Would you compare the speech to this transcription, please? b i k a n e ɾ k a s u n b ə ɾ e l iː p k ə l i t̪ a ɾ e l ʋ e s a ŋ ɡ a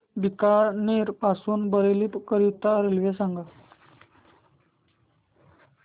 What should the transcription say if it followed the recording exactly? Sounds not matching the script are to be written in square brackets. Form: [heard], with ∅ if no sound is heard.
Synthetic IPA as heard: b i k a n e ɾ [p] a s [uː] n b ə ɾ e l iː p k ə [ɾ] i t̪ a ɾ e l ʋ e s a ŋ ɡ a